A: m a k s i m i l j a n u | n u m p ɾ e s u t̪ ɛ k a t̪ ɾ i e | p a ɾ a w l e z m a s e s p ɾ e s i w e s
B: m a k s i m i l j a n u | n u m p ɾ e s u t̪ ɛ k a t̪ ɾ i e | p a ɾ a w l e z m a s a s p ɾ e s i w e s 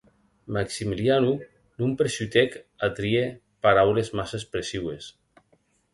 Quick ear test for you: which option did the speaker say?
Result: A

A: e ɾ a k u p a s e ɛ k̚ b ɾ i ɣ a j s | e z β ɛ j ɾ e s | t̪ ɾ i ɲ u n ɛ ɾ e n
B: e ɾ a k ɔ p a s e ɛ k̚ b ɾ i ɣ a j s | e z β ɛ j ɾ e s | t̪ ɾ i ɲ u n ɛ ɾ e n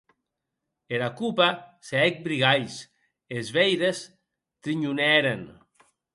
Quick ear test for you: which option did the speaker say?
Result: A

